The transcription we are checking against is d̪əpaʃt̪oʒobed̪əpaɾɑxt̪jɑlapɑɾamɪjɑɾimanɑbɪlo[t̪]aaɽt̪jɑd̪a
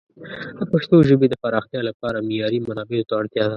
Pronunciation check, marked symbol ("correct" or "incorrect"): correct